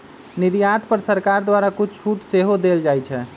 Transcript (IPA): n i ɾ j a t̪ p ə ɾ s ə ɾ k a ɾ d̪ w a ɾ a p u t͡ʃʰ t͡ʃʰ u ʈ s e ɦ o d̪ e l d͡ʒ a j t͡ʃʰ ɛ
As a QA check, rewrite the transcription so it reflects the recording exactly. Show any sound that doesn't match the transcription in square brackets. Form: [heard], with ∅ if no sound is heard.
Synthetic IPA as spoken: n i ɾ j a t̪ p ə ɾ s ə ɾ k a ɾ d̪ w a ɾ a [k] u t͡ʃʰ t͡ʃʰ u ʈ s e ɦ o d̪ e l d͡ʒ a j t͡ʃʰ ɛ